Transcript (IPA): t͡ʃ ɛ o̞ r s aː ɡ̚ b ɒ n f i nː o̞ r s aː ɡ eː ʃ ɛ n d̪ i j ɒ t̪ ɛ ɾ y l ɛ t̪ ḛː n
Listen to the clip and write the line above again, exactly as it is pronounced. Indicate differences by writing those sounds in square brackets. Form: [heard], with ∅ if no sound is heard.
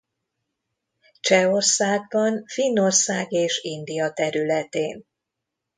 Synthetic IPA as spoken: t͡ʃ ɛ o̞ r s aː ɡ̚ b ɒ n f i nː o̞ r s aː ɡ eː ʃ [i] n d̪ i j ɒ t̪ ɛ ɾ y l ɛ t̪ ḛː n